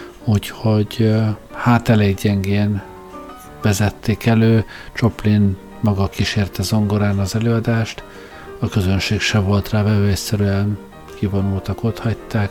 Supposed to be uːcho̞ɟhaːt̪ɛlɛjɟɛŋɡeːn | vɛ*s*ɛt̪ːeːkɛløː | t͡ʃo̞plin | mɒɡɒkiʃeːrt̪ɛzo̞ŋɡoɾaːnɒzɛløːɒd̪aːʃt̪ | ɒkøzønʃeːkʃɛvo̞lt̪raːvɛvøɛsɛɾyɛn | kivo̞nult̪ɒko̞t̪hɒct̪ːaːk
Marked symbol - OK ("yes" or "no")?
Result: no